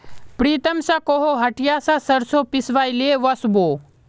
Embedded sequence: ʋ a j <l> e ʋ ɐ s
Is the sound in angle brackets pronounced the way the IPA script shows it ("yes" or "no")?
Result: yes